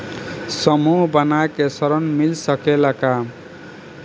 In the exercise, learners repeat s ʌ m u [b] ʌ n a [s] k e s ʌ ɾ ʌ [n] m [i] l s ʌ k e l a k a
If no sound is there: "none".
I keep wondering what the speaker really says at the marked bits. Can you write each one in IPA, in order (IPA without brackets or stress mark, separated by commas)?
b, none, n, i